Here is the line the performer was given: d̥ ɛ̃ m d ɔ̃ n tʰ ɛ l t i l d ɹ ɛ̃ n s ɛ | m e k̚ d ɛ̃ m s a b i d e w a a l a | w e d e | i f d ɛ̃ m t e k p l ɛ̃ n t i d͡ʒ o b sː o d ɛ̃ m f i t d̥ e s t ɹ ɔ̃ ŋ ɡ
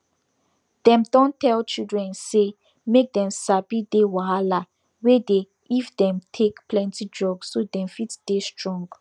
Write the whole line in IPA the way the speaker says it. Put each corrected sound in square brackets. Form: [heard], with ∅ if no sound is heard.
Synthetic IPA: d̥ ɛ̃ m d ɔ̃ n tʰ ɛ l [t͡ʃ] i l d ɹ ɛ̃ n s [e] | m e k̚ d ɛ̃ m s a b i d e w a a l a | w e d e | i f d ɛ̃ m [tʰ] e k p l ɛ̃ n t i d͡ʒ [ɔ] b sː o d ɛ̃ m f i t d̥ e s t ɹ ɔ̃ ŋ ɡ